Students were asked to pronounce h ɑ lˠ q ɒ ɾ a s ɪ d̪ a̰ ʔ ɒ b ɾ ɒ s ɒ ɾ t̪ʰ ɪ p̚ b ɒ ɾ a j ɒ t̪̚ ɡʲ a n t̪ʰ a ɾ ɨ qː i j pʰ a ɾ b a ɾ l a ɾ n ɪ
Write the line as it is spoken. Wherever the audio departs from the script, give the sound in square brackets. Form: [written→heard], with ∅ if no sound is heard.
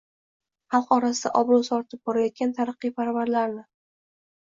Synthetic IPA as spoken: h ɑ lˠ q ɒ ɾ a s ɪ d̪ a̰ ʔ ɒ b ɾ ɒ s ɒ ɾ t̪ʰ ɪ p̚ b ɒ ɾ a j ɒ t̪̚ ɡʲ a n t̪ʰ a ɾ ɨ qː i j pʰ a ɾ [b→v] a ɾ l a ɾ n ɪ